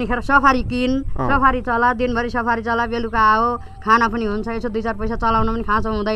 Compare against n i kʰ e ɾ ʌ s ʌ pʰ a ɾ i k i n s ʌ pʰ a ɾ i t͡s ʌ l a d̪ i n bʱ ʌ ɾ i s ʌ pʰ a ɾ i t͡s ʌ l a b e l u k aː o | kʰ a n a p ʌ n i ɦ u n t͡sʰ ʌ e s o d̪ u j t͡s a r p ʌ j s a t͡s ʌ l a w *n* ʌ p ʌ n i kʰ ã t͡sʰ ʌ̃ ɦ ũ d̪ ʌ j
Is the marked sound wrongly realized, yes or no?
no